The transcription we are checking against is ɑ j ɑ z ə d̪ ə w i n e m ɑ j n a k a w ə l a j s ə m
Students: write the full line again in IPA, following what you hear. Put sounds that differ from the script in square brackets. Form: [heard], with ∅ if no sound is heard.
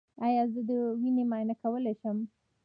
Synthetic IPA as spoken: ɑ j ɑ z ə d̪ ə w i n e m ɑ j n a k a w ə l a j [ʃ] ə m